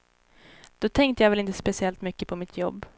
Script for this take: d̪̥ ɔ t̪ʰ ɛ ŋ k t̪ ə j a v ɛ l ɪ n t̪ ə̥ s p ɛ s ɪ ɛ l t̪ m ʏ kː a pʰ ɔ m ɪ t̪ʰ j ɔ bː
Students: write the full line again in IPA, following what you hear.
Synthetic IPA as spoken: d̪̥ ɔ t̪ʰ ɛ ŋ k t̪ ə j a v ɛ l ɪ n t̪ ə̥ s p ɛ s ɪ ɛ l t̪ m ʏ kː ə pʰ ɔ m ɪ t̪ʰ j ɔ bː